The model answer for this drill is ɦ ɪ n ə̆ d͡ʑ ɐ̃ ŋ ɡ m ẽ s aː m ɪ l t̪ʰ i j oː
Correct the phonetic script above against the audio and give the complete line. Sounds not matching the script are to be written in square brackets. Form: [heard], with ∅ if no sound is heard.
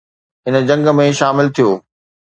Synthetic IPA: ɦ ɪ n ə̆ d͡ʑ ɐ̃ ŋ ɡ m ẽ [ʃ] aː m ɪ l t̪ʰ i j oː